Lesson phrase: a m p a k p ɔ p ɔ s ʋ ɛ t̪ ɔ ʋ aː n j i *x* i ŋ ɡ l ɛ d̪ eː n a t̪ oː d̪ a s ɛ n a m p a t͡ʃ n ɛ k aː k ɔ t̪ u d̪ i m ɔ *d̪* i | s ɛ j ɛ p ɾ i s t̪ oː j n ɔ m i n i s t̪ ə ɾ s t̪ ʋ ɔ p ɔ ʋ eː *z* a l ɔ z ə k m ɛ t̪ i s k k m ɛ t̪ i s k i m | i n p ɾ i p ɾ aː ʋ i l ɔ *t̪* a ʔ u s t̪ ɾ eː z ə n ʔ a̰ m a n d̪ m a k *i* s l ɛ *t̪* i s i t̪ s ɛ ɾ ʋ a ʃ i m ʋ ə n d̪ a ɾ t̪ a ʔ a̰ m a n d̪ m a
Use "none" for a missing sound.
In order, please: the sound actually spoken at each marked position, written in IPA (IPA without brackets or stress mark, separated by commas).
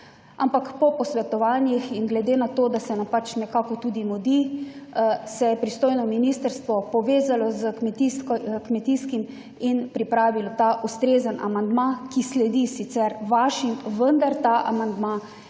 x, d̪, z, t̪, i, d̪